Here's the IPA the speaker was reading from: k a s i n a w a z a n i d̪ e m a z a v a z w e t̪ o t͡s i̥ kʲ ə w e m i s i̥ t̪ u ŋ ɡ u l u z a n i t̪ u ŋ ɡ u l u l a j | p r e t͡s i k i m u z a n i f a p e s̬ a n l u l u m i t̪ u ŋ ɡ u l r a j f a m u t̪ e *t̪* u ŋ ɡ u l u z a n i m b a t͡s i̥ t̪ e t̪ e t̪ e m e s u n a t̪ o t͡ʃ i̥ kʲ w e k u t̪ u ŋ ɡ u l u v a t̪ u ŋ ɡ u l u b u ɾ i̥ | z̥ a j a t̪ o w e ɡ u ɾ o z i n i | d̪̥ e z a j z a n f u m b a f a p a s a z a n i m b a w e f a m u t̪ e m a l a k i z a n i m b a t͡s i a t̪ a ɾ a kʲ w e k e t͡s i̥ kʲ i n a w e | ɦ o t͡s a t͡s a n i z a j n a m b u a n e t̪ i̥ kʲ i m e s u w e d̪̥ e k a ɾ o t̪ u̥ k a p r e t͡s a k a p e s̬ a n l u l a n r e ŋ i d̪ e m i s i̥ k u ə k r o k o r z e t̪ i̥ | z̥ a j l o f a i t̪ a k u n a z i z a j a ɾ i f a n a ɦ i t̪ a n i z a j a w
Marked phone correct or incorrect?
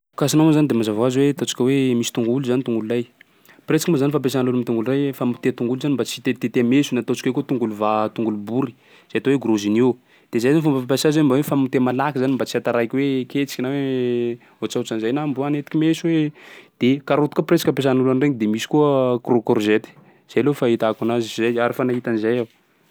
correct